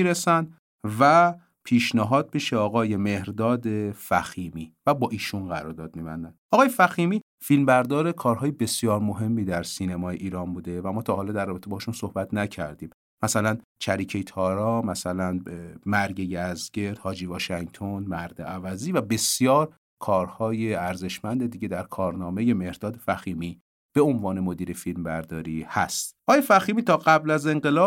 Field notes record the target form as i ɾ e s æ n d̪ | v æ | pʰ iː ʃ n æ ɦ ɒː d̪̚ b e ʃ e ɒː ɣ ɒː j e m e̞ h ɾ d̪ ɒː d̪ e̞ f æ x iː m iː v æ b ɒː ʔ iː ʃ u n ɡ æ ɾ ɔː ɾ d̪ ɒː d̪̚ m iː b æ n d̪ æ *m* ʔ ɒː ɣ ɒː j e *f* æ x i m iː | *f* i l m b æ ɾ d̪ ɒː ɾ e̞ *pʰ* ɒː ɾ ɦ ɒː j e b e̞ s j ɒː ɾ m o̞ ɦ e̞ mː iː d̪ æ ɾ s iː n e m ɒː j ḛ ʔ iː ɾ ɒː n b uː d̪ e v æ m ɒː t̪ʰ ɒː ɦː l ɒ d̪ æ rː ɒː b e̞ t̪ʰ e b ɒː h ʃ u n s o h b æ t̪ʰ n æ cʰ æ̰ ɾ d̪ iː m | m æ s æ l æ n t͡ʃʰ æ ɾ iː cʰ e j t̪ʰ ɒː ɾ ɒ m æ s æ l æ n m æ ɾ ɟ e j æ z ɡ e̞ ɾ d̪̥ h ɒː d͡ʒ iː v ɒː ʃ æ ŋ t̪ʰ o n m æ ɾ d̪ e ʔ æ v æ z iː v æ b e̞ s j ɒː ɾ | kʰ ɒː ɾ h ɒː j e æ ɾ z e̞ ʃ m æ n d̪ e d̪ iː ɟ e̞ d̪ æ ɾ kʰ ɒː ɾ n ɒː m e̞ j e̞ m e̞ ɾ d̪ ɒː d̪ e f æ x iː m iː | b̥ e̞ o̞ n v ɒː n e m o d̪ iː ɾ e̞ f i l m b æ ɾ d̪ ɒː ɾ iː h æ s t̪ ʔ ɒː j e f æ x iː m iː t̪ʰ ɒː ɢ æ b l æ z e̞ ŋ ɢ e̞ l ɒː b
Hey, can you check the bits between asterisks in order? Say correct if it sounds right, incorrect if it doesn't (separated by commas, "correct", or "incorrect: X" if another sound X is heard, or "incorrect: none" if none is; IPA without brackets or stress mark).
incorrect: n, correct, correct, incorrect: kʰ